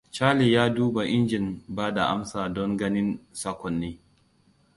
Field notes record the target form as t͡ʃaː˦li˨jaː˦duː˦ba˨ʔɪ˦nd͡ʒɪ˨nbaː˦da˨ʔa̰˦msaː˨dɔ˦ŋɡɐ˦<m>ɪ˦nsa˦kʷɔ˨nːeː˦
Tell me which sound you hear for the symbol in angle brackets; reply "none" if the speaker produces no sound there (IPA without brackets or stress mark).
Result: n